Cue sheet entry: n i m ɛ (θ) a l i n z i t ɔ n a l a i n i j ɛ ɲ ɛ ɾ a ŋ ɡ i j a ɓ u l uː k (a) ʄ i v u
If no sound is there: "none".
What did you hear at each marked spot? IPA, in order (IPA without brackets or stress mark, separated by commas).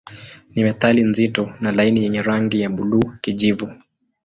θ, i